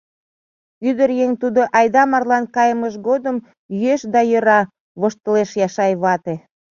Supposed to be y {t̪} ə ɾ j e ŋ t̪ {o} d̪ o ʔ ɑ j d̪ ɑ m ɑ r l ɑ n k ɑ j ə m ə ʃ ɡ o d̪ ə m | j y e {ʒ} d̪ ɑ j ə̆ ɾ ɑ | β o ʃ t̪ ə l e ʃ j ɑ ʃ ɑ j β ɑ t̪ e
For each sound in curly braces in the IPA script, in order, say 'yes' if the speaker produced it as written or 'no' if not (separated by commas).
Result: no, no, no